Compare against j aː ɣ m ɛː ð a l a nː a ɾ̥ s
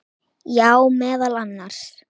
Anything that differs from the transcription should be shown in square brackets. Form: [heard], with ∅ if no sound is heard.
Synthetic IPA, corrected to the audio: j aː [w] m ɛː ð a l a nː a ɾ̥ s